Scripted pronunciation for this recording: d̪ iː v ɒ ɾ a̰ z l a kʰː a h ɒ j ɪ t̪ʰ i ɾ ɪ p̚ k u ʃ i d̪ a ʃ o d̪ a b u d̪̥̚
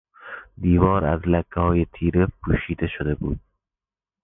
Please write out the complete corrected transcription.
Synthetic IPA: d̪ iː v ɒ ɾ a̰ z l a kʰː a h ɒ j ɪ t̪ʰ i ɾ ɪ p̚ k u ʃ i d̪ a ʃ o d̪ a b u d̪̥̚